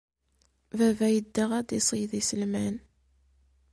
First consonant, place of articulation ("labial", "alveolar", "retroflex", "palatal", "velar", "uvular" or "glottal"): labial